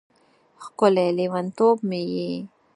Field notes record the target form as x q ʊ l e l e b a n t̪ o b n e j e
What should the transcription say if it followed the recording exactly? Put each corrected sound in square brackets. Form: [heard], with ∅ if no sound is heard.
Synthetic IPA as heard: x [k] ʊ l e l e [w] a n t̪ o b [m] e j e